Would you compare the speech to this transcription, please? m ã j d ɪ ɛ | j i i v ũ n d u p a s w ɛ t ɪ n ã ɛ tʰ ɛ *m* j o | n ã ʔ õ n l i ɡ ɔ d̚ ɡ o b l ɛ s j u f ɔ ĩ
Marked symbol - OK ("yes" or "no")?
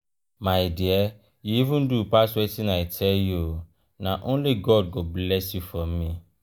no